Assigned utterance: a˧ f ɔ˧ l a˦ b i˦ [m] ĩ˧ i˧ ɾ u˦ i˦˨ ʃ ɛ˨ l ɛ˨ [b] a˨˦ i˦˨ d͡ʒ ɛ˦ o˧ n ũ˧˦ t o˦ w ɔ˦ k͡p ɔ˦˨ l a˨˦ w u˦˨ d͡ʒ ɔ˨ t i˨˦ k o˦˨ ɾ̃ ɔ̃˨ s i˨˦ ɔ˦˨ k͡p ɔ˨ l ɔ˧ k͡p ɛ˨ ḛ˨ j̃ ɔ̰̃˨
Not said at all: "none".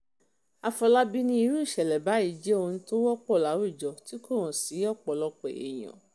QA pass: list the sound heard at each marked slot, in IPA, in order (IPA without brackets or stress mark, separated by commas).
n, b